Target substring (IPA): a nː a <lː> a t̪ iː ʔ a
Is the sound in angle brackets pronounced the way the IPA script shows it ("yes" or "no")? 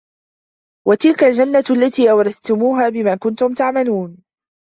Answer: yes